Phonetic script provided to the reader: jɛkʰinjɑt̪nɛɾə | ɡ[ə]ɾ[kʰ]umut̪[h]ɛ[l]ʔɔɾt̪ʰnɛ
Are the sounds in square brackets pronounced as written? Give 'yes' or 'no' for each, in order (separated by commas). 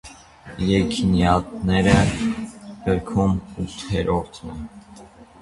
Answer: yes, yes, yes, no